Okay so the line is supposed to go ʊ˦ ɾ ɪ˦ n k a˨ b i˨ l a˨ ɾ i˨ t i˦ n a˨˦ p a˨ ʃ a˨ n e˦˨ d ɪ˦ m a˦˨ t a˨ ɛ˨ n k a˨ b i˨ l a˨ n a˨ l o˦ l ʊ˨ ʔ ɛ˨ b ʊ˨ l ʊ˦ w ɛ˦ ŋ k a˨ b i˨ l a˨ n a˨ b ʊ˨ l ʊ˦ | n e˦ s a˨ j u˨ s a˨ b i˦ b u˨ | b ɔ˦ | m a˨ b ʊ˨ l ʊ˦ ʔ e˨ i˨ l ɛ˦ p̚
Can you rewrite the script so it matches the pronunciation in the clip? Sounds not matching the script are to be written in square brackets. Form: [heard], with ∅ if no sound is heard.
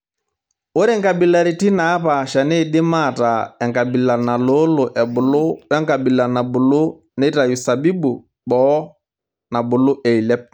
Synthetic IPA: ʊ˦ ɾ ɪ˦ [ŋ] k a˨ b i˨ l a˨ ɾ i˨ t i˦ n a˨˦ p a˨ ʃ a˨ n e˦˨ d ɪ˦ m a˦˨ t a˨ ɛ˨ [ŋ] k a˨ b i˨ l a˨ n a˨ l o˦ l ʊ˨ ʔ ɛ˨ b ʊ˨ l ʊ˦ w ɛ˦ ŋ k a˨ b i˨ l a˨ n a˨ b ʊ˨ l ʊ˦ | n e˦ [t] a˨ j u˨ s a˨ b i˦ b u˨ | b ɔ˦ | [n] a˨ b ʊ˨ l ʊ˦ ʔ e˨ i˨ l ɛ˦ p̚

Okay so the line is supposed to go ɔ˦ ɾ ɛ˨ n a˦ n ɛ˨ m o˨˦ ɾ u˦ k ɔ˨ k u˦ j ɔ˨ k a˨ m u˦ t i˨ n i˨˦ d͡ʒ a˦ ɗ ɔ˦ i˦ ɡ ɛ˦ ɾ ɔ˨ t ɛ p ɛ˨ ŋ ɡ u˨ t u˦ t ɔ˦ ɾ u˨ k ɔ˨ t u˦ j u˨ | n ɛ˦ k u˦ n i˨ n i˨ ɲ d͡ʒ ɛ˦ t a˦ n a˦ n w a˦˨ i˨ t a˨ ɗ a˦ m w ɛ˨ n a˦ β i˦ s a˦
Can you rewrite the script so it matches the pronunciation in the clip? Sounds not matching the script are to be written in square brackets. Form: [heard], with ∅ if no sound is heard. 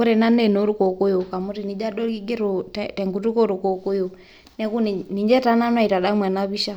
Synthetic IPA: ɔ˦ ɾ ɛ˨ n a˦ n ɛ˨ [n] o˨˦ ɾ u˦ k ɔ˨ k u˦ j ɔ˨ k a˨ m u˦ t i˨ n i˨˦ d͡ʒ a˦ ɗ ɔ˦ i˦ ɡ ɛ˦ ɾ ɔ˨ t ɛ [t] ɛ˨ ŋ ɡ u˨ t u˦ [k] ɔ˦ ɾ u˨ k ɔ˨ [k] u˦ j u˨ | n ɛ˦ k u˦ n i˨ n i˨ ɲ d͡ʒ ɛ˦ t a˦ n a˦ n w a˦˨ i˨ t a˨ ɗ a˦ m w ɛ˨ n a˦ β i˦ [ʃ] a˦

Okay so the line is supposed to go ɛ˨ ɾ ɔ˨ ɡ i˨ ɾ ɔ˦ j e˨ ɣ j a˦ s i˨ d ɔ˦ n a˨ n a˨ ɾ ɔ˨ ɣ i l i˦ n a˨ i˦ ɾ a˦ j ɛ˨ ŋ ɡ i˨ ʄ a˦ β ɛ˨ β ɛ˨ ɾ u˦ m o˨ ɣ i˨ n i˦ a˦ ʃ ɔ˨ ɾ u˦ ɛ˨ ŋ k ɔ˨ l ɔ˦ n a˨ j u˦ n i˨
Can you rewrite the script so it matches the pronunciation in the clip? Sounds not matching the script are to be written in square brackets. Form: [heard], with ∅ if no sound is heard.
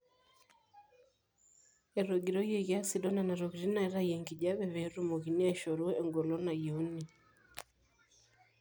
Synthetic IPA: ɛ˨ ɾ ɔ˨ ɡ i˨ ɾ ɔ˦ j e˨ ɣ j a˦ s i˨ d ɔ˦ n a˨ n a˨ ɾ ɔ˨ ɣ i [ɾ] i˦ n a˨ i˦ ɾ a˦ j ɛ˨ ŋ ɡ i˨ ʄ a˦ β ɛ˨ β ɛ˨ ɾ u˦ m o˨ ɣ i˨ n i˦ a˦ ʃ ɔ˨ ɾ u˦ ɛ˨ ŋ [ɡ] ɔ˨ l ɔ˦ n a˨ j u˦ n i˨

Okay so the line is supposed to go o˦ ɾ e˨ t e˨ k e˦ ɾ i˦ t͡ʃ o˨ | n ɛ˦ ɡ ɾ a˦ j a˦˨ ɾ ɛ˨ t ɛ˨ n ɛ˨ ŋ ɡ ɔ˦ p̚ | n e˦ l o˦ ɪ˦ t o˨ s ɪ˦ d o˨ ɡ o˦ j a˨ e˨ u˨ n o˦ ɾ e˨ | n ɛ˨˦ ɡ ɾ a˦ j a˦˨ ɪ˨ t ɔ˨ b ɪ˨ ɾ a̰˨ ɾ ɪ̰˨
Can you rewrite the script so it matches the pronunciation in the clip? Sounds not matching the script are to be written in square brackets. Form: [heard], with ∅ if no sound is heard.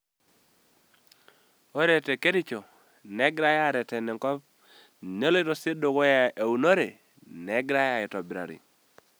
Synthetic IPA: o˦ ɾ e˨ t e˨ k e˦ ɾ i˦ t͡ʃ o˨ | n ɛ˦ ɡ ɾ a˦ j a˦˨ ɾ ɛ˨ t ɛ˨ n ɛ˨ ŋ [k] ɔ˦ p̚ | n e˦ l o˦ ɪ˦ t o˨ s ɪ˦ d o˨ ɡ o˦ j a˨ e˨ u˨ n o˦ ɾ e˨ | n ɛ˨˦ ɡ ɾ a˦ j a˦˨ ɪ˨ t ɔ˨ b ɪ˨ ɾ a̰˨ ɾ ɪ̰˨

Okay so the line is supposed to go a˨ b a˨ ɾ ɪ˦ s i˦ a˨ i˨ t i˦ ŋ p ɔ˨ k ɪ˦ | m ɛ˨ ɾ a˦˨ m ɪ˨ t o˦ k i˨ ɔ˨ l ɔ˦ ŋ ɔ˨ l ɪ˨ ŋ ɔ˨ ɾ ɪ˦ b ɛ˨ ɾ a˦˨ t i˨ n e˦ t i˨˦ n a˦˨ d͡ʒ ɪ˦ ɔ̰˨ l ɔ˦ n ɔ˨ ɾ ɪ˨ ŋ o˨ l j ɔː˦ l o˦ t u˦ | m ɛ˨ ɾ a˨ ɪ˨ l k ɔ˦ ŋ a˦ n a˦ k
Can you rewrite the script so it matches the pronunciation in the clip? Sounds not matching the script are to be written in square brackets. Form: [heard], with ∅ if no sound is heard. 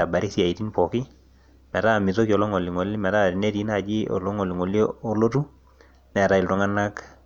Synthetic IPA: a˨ b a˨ ɾ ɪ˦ s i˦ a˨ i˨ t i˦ [n] p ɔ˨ k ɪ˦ | m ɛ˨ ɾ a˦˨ m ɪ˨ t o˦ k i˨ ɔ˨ l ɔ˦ ŋ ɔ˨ l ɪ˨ ŋ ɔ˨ [l] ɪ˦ [m] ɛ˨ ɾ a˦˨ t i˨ n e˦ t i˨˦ n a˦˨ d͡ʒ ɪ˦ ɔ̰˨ l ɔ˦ [ŋ] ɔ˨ [l] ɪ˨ ŋ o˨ l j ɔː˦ l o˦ t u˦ | [n] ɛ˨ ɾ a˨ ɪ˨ l [t] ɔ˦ ŋ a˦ n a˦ k

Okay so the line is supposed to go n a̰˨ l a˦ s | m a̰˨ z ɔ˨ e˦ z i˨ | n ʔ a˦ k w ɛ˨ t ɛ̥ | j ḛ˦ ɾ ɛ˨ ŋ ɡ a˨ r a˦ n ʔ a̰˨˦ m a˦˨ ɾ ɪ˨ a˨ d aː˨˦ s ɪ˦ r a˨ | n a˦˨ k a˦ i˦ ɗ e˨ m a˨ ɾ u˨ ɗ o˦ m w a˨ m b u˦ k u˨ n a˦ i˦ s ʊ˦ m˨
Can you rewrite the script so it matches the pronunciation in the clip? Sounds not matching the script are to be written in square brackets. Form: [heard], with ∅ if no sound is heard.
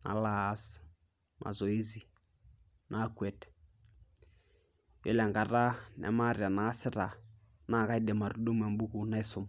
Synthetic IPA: n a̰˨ l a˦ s | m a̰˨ z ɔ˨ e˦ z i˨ | n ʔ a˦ k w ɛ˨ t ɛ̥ | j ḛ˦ [l] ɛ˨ ŋ ɡ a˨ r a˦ n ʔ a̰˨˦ m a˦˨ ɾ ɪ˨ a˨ [n] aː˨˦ s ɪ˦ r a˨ | n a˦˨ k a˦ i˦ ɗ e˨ m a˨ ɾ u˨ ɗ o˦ m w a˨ m b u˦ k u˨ n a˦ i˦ s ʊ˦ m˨

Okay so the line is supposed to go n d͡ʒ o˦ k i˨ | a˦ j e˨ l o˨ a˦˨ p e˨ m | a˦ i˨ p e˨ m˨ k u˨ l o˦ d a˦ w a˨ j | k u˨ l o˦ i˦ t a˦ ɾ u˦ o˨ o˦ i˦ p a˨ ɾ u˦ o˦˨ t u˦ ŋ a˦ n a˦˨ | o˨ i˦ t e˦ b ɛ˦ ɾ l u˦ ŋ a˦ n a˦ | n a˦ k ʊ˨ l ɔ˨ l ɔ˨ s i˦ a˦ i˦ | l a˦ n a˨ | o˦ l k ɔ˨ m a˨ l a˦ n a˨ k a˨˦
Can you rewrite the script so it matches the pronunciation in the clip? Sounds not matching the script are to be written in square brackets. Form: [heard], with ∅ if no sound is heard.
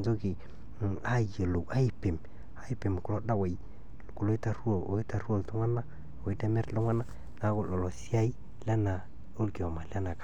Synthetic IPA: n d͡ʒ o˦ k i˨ | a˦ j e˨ l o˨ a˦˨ p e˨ m | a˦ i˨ p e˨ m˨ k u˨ l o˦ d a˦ w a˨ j | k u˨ l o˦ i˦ t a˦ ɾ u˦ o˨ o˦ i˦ [t] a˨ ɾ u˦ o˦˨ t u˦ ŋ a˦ n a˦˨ | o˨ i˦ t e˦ [m] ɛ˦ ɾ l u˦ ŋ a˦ n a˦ | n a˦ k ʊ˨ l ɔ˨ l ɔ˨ s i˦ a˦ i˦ | l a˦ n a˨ | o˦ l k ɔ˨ m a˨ l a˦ n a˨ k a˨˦

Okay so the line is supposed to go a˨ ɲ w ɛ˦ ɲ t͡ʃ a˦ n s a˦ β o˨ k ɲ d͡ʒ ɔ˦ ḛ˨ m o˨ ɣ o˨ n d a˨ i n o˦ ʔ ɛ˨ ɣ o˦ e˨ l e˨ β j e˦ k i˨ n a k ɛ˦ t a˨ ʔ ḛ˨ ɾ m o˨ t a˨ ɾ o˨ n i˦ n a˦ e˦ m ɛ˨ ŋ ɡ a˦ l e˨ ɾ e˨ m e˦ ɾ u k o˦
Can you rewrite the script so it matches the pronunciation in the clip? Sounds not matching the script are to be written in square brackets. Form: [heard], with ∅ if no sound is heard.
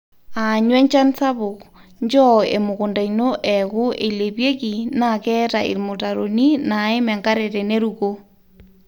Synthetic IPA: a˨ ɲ w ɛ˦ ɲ t͡ʃ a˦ n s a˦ β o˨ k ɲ d͡ʒ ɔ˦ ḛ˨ m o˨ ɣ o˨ n d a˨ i n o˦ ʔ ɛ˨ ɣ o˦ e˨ l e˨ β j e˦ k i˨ n a k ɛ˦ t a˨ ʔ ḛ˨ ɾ m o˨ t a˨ ɾ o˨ n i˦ n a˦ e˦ m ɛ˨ ŋ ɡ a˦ [ɾ] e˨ ɾ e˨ [n] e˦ ɾ u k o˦

